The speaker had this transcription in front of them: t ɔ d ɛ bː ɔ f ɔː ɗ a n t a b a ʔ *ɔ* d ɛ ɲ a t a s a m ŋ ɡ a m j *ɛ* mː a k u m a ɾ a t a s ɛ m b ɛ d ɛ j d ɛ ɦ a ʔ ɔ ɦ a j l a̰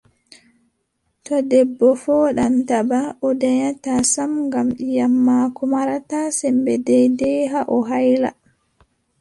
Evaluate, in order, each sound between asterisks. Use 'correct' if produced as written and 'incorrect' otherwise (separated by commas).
correct, incorrect